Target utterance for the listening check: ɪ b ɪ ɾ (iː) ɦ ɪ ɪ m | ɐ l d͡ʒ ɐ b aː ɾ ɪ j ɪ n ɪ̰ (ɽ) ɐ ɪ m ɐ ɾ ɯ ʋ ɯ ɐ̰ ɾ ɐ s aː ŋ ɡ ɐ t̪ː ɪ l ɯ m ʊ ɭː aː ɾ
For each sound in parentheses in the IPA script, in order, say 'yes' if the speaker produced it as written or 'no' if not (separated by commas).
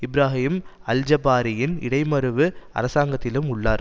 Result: no, yes